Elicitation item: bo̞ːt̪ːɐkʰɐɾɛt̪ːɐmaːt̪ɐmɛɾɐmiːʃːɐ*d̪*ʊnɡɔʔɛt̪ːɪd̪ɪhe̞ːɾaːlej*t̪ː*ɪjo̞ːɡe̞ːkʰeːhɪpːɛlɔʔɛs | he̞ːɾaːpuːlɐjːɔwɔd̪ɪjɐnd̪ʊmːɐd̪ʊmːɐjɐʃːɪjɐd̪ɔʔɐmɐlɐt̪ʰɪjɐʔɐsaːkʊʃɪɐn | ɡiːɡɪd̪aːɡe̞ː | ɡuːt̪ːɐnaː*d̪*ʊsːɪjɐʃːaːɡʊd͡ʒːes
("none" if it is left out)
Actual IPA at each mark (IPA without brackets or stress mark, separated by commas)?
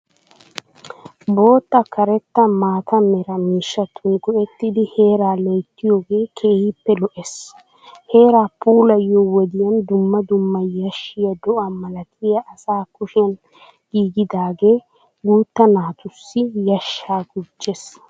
t̪, t̪ː, t̪